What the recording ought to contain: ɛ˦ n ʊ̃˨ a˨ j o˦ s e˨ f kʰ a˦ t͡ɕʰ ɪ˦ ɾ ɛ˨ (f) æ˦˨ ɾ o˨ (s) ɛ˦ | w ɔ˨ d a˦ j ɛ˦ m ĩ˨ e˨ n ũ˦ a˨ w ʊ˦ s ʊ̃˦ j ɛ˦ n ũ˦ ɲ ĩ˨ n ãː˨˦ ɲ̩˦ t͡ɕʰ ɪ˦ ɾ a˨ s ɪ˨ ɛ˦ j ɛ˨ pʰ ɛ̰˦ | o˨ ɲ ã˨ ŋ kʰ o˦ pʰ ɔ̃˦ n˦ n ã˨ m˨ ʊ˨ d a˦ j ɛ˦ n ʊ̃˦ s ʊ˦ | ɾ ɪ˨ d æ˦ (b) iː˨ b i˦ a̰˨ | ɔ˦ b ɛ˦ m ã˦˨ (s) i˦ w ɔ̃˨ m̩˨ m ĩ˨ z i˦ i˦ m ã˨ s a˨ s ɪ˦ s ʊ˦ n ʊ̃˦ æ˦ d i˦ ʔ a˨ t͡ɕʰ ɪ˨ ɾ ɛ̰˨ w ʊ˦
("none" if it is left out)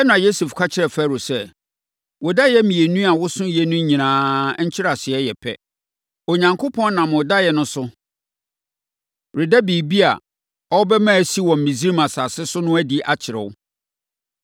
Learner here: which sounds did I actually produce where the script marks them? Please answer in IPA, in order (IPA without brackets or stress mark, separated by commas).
f, s, b, s